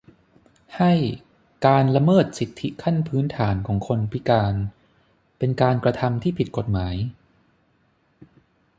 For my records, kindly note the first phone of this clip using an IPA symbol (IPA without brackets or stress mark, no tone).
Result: h